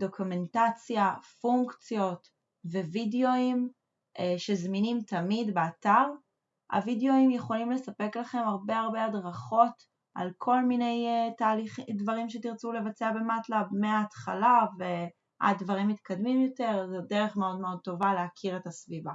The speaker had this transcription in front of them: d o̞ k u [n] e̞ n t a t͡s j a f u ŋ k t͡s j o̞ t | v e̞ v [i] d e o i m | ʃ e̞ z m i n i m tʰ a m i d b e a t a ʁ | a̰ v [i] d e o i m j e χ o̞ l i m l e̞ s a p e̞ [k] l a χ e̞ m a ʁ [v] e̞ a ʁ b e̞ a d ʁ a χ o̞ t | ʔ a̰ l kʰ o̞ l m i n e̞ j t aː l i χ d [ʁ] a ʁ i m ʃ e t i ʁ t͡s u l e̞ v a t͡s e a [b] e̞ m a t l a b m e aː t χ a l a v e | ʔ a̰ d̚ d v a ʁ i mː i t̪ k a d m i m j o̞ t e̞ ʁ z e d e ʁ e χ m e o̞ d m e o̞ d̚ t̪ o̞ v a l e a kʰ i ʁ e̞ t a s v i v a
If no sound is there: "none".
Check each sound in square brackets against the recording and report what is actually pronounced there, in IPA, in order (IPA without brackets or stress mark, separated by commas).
m, i, i, k, b, v, b